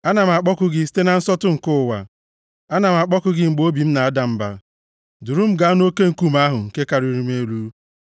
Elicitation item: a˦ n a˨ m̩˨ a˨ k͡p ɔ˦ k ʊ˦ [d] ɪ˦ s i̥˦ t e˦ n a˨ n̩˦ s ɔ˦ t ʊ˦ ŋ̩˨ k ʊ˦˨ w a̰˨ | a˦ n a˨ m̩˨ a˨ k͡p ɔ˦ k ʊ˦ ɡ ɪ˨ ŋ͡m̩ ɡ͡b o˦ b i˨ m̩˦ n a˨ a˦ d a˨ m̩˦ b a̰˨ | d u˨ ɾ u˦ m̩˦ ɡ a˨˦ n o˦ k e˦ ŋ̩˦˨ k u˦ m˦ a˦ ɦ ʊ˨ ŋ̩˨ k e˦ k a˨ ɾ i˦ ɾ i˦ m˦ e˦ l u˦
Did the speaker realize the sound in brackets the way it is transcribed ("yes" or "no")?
no